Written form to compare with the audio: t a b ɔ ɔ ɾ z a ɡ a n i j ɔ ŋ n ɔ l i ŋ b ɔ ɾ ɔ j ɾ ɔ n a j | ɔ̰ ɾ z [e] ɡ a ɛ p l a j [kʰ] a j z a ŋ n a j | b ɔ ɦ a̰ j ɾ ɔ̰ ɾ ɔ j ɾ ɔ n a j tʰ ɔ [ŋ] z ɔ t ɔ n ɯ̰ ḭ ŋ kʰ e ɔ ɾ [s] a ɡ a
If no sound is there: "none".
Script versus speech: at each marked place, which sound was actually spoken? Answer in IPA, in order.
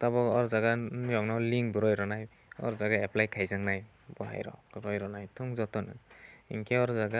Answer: a, kʰ, ŋ, z

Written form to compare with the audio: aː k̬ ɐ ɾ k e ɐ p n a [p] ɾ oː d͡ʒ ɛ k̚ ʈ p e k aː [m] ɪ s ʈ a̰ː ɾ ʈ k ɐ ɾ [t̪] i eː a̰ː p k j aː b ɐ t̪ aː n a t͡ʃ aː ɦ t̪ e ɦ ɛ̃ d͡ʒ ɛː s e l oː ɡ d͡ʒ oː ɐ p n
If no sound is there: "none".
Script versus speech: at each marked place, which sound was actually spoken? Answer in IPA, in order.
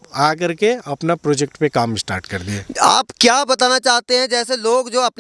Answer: p, m, d̪

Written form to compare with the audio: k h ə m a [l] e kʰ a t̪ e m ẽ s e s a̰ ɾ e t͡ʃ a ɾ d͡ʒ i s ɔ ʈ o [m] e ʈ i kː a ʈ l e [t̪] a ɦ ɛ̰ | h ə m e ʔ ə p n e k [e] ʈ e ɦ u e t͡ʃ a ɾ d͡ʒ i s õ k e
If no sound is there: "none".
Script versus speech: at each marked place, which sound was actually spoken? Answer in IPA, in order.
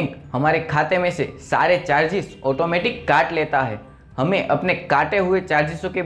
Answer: ɾ, m, t̪, a

